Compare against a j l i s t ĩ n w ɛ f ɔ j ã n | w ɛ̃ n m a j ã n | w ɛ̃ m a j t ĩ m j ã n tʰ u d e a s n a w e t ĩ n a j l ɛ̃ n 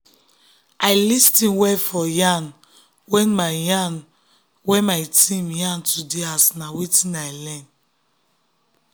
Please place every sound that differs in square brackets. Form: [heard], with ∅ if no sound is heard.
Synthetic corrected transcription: a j l i s t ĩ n w ɛ f ɔ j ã n | w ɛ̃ n m a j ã n | w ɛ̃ m a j t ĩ m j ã n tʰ u d e a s n a w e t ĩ n a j l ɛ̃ n